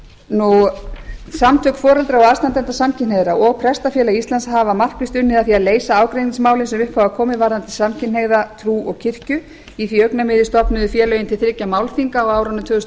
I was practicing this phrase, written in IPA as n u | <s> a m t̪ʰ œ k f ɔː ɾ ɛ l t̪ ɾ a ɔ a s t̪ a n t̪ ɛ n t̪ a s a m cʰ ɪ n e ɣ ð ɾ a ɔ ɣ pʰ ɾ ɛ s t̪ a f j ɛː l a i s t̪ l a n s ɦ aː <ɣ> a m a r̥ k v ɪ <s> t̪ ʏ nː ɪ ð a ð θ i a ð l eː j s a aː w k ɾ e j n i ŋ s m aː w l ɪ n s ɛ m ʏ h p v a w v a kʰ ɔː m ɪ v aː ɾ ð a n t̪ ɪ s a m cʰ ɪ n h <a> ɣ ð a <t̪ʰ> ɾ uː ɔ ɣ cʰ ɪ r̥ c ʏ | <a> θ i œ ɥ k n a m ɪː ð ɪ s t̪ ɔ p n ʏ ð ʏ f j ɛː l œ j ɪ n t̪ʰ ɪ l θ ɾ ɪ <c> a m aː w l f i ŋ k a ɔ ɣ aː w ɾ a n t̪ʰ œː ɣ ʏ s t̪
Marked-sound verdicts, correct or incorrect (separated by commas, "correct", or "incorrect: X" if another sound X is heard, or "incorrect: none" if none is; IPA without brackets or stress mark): correct, incorrect: v, correct, incorrect: e, correct, incorrect: i, correct